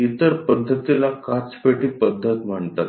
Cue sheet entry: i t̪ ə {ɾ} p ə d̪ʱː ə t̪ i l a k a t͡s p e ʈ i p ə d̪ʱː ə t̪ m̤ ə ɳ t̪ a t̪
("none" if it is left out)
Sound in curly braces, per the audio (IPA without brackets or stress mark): ɾ